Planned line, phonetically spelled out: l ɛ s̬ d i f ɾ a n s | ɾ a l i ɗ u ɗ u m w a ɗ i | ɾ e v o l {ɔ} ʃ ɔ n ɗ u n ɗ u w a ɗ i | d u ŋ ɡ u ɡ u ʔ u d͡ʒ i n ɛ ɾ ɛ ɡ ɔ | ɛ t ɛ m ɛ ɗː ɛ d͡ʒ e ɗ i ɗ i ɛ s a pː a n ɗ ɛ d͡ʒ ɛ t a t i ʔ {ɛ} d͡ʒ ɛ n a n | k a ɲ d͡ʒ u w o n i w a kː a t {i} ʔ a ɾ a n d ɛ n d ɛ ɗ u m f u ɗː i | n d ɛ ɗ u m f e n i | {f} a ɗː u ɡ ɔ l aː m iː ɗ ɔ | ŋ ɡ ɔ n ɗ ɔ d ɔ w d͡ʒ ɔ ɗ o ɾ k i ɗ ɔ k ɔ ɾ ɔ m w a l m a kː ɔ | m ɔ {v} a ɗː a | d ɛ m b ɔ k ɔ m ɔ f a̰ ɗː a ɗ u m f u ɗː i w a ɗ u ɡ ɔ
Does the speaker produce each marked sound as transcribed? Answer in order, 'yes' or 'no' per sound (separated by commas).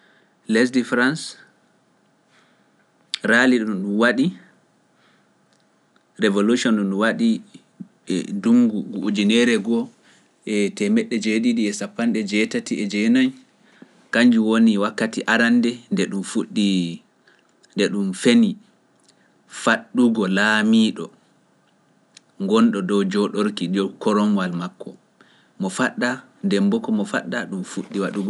no, yes, yes, yes, no